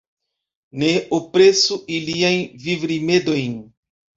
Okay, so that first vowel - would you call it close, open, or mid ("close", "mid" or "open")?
mid